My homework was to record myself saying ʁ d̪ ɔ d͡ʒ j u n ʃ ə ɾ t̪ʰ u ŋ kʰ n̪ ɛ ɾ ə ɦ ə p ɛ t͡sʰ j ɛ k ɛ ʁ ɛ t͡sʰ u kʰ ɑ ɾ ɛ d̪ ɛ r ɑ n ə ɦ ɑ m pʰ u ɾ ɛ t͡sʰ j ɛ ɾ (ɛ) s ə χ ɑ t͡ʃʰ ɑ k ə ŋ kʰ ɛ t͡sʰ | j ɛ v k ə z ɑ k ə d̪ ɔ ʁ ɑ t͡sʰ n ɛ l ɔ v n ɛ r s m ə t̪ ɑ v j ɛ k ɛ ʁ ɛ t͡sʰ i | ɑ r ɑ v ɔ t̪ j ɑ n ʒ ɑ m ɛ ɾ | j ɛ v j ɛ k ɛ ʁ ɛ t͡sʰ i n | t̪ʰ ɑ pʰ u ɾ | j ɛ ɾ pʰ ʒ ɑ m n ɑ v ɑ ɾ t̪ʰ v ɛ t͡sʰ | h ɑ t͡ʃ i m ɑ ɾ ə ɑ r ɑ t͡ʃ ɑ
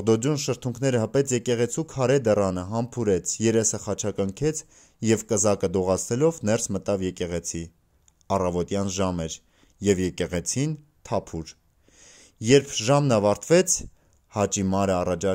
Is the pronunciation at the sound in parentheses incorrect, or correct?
correct